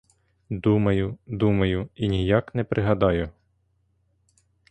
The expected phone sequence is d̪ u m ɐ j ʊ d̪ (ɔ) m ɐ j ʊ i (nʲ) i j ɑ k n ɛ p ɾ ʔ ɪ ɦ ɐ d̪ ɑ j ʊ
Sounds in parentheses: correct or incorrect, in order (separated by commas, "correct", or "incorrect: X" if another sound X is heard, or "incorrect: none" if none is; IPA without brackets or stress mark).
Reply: incorrect: u, correct